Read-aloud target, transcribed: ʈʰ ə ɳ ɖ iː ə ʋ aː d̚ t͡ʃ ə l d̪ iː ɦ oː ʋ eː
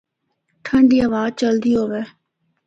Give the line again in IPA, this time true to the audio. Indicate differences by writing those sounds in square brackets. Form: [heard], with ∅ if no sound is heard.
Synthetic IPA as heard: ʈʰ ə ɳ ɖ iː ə ʋ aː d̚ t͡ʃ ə l d̪ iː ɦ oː ʋ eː